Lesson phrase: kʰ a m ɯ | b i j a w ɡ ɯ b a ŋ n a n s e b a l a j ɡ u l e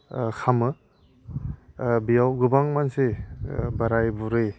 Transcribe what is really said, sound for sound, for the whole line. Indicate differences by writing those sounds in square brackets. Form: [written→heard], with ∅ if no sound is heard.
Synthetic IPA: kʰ a m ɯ | b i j a w ɡ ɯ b a ŋ [n→m] a n s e b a [l→ɾ] a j [ɡ→b] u [l→ɾ] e